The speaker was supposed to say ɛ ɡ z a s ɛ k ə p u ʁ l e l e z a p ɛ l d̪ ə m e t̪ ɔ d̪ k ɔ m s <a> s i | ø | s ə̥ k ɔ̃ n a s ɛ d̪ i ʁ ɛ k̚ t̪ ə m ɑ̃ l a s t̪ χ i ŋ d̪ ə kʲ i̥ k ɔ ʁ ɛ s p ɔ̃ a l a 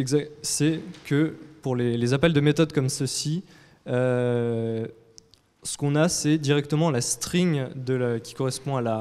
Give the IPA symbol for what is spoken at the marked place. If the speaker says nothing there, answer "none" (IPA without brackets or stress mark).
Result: ə